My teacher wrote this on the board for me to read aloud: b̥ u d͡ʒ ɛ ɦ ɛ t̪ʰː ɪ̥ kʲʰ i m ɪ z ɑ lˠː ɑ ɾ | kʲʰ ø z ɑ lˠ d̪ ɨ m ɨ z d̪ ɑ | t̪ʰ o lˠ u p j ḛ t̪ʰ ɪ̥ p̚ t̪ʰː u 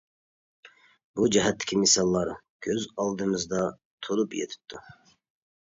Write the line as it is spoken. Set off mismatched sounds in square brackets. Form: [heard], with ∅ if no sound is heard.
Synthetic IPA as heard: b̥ u d͡ʒ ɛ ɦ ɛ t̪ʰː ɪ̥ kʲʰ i m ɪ [s] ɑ lˠː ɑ ɾ | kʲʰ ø z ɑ lˠ d̪ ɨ m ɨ z d̪ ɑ | t̪ʰ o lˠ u p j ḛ t̪ʰ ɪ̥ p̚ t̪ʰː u